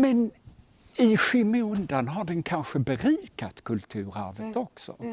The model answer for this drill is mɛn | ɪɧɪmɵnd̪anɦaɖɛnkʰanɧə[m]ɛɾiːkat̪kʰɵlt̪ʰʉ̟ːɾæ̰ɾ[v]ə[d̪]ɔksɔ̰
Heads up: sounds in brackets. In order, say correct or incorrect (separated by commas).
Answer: incorrect, correct, incorrect